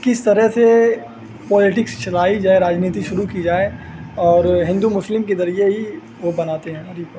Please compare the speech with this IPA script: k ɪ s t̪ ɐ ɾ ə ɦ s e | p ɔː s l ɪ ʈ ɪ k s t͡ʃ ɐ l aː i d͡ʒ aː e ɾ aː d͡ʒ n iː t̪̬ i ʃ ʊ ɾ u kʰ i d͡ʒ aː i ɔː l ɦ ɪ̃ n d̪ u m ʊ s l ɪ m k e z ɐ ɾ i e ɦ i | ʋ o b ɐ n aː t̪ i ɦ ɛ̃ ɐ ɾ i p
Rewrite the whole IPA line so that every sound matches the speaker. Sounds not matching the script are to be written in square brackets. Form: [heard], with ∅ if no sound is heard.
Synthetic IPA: k ɪ s t̪ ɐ ɾ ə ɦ s e | p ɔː [∅] l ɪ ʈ ɪ k s t͡ʃ ɐ l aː i d͡ʒ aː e ɾ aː d͡ʒ n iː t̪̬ i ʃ ʊ ɾ u [k] i d͡ʒ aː [e] ɔː [ɾ] ɦ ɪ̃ n d̪ u m ʊ s l ɪ m k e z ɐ ɾ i e ɦ i | ʋ o b ɐ n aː t̪ [e] ɦ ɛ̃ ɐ ɾ i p